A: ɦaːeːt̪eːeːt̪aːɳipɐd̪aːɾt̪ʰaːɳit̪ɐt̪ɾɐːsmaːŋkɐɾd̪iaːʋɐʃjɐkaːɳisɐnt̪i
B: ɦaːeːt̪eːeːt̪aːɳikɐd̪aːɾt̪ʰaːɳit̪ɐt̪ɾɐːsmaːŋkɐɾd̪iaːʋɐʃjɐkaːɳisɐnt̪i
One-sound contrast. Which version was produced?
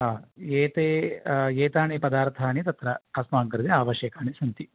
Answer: A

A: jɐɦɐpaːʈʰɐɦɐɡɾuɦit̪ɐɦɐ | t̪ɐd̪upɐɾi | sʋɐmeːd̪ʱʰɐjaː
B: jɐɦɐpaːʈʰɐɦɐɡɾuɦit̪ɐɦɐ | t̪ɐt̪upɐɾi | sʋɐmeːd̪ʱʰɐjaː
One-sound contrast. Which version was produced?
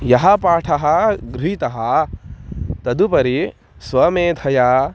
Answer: A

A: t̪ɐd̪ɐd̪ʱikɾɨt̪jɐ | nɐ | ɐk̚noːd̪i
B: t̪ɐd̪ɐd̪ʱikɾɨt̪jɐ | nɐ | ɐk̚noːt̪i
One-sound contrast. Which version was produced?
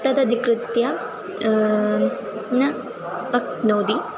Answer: A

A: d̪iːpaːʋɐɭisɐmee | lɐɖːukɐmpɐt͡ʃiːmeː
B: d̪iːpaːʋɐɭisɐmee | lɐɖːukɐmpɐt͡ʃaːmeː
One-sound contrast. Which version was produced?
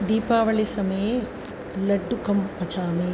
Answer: B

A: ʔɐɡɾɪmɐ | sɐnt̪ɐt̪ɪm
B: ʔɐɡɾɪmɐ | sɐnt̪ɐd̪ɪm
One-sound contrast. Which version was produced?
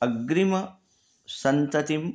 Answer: A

